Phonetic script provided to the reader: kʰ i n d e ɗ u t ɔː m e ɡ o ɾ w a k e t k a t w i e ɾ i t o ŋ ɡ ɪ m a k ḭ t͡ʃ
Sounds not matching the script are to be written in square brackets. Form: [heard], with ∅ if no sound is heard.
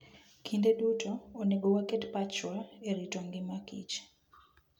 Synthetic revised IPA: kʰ i n d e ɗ u t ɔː [n] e ɡ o [∅] w a k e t [p] a [t͡ʃ] w [a] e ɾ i t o ŋ ɡ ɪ m a k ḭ t͡ʃ